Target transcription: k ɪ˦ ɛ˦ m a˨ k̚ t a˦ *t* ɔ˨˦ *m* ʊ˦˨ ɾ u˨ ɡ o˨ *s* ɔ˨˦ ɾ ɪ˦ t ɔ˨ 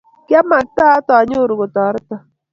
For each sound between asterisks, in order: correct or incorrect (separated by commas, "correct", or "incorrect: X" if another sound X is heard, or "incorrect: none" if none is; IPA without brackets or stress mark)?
correct, incorrect: ɲ, incorrect: t